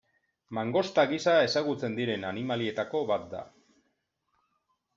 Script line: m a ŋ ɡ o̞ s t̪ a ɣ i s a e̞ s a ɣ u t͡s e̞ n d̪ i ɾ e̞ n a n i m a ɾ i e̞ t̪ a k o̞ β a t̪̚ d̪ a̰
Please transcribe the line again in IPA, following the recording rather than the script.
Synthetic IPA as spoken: m a ŋ ɡ o̞ s t̪ a ɣ i s a e̞ s a ɣ u t͡s e̞ n d̪ i ɾ e̞ n a n i m a l i e̞ t̪ a k o̞ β a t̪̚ d̪ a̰